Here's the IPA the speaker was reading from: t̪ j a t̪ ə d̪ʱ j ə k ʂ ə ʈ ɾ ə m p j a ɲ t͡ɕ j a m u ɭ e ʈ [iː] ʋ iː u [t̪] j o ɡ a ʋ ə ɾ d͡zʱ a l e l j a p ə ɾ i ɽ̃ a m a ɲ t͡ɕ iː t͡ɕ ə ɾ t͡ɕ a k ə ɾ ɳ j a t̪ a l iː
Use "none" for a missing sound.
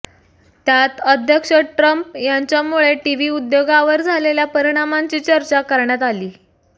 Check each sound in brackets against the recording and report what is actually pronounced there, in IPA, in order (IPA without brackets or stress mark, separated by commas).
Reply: i, d̪